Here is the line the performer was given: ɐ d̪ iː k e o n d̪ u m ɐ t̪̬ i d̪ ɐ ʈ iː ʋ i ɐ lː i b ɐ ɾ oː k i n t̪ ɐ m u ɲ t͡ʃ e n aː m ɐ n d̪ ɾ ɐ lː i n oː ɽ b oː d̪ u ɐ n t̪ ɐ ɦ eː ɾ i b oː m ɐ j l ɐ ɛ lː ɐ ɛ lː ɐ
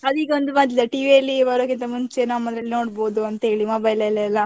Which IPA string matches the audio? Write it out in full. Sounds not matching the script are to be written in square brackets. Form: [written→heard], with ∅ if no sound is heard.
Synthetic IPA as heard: ɐ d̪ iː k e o n d̪ u m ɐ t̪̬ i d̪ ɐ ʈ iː ʋ i ɐ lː i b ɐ ɾ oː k i n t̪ ɐ m u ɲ t͡ʃ e n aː m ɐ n d̪ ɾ ɐ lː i n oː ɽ b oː d̪ u ɐ n t̪ ɐ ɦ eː [ɾ→ɭ] i [b→m] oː [m→b] ɐ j l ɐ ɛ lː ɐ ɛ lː ɐ